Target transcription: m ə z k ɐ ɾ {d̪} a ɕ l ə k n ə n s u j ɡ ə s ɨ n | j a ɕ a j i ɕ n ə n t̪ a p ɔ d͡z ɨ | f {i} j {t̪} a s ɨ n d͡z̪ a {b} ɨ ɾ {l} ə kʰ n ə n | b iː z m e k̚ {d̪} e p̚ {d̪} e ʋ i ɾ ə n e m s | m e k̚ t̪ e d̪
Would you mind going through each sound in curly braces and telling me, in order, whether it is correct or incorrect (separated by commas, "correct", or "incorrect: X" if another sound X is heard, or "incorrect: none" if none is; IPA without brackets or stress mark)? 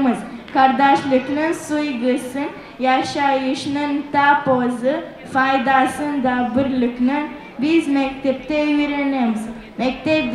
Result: correct, incorrect: a, incorrect: d̪, correct, correct, incorrect: t̪, incorrect: t̪